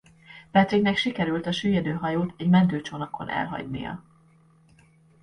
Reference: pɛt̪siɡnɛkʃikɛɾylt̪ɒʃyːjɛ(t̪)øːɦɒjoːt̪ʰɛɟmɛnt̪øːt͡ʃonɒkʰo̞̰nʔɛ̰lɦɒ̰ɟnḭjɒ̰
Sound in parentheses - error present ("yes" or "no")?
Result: yes